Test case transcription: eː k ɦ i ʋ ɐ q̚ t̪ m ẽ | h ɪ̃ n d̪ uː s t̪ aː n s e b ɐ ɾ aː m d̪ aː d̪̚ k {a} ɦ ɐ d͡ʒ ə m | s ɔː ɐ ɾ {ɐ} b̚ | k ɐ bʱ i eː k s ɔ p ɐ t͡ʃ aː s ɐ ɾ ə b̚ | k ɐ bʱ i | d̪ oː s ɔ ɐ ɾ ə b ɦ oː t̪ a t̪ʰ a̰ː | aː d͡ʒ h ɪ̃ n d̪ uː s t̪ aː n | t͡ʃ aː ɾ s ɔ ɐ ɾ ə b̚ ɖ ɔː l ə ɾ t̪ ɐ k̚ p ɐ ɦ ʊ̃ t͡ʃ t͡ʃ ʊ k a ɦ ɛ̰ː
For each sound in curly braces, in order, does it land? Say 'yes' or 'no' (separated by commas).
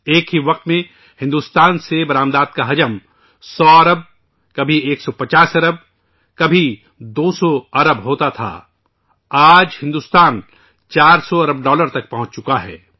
yes, no